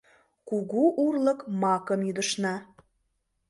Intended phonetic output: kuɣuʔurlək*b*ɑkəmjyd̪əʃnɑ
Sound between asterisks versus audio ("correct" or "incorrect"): incorrect